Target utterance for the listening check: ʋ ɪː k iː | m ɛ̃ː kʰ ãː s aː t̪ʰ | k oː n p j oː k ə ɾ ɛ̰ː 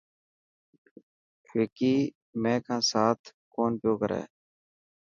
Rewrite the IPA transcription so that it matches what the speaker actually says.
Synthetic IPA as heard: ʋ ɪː k iː | m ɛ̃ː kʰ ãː s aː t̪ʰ | k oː n p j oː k ə ɾ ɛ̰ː